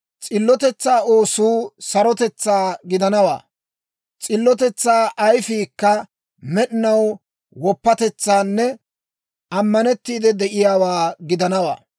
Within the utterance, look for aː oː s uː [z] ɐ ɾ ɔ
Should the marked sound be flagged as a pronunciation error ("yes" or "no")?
yes